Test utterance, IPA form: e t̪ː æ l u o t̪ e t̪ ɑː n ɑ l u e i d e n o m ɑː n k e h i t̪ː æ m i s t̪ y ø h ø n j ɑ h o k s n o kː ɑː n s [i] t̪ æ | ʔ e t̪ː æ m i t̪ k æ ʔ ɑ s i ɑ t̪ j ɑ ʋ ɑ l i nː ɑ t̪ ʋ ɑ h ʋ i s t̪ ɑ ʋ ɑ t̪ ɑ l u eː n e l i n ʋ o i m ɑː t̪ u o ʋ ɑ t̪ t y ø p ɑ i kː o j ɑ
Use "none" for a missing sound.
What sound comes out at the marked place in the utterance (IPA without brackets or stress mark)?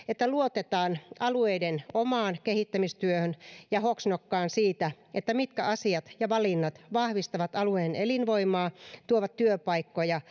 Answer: iː